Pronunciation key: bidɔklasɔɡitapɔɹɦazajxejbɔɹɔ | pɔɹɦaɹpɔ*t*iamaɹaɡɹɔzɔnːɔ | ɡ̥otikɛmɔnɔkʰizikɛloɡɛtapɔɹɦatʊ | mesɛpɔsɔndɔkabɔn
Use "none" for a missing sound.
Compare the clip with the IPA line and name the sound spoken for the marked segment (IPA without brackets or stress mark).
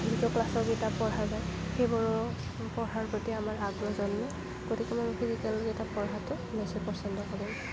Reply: t